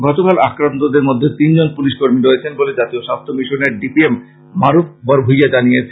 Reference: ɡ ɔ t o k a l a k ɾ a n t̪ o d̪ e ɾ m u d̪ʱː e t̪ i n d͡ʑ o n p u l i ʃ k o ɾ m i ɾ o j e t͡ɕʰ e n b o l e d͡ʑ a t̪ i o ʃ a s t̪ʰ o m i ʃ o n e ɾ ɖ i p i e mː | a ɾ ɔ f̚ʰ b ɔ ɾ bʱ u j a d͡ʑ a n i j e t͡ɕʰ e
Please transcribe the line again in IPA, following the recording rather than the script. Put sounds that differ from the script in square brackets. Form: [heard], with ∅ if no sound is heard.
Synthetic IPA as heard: ɡ ɔ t o k a l a k ɾ a n t̪ o d̪ e ɾ m [o] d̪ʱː e t̪ i n d͡ʑ o n p u l i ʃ k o ɾ m i ɾ o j e t͡ɕʰ e n b o l e d͡ʑ a t̪ i o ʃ a s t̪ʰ o m i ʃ o n e ɾ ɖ i p i e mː | a ɾ [u] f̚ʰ b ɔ ɾ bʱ u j a d͡ʑ a n i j e t͡ɕʰ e